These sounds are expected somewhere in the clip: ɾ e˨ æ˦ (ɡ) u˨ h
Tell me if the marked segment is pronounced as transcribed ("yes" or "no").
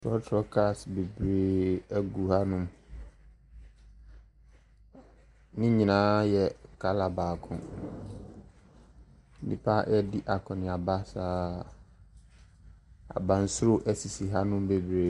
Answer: yes